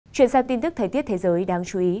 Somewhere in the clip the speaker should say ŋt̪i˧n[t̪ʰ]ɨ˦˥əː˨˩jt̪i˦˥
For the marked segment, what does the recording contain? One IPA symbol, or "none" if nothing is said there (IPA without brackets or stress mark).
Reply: t̪